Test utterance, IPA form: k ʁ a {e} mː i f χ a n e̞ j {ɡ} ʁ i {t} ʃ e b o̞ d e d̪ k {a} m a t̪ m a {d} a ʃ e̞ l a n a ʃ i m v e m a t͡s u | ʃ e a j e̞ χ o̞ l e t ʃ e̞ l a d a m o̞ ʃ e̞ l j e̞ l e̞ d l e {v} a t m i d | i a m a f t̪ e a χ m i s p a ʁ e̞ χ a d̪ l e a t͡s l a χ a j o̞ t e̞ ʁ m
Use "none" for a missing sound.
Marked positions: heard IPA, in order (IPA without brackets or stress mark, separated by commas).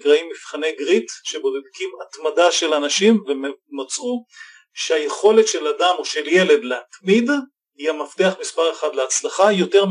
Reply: i, ɡ, t, i, d, none